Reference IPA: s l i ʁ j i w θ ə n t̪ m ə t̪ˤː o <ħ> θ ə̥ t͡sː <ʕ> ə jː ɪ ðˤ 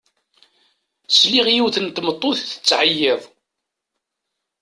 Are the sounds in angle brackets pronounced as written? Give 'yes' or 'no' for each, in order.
no, yes

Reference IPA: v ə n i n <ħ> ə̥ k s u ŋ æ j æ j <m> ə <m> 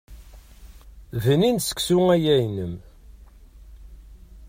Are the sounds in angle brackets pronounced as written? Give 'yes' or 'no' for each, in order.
no, no, yes

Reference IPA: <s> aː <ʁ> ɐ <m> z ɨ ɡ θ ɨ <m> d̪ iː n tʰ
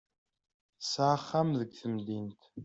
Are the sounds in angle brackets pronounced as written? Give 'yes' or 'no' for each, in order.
yes, no, yes, yes

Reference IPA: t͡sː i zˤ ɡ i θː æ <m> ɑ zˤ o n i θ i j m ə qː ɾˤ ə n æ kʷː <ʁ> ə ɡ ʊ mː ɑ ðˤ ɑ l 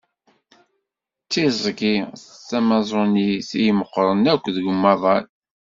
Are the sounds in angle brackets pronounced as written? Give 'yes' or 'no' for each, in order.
yes, no

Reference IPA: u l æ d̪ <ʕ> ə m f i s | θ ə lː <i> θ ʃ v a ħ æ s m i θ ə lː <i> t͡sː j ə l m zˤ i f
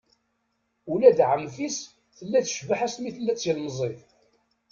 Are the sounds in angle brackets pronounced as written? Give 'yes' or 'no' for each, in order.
yes, no, no

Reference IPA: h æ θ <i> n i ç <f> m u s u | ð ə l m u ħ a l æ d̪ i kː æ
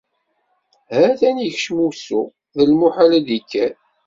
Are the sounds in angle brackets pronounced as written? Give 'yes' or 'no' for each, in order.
no, no

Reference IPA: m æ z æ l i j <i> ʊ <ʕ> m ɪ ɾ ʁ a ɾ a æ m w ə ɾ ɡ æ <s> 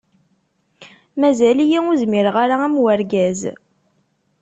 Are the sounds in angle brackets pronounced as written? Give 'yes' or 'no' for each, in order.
yes, no, no

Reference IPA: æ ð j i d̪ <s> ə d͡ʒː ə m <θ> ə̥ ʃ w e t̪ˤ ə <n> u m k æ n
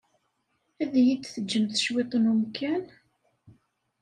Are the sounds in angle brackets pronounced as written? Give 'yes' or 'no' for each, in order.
no, yes, yes

